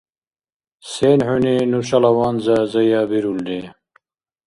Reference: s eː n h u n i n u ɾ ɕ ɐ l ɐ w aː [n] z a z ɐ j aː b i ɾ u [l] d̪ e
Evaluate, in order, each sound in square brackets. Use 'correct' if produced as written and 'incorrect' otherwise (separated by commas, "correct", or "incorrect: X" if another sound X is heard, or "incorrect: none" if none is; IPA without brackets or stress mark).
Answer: correct, correct